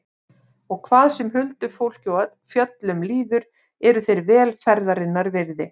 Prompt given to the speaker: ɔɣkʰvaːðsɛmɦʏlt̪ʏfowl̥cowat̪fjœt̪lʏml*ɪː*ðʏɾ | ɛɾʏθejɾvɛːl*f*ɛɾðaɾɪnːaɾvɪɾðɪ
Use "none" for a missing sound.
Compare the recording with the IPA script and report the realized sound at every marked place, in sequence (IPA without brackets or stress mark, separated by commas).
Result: iː, f